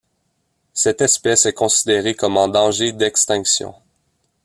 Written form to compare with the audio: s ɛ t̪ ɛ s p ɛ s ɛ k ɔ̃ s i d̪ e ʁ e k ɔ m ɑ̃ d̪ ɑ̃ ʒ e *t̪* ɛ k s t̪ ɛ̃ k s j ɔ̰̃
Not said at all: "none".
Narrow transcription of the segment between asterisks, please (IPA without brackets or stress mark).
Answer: d̪